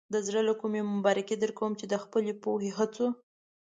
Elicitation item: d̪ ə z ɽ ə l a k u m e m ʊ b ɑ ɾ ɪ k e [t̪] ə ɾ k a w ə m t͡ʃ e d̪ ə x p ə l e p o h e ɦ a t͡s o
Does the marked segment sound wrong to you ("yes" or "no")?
yes